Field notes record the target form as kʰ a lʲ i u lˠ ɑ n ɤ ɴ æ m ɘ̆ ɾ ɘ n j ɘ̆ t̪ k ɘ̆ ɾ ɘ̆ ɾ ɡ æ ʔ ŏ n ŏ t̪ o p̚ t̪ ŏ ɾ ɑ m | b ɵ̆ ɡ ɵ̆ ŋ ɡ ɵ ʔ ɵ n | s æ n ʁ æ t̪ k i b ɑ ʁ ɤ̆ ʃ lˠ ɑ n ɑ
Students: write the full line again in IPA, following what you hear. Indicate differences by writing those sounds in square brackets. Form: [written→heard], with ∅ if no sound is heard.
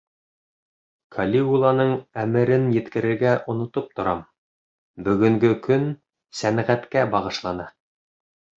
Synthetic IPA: kʰ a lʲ i u lˠ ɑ n ɤ ɴ æ m ɘ̆ ɾ ɘ n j ɘ̆ t̪ k ɘ̆ ɾ ɘ̆ ɾ ɡ æ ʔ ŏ n ŏ t̪ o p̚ t̪ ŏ ɾ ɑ m | b ɵ̆ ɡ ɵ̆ ŋ ɡ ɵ [ʔ→k] ɵ n | s æ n ʁ æ t̪ k [i→æ] b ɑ ʁ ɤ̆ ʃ lˠ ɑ n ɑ